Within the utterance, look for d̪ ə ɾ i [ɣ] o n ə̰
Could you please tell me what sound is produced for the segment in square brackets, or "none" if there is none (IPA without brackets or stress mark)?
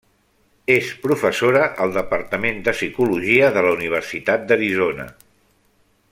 z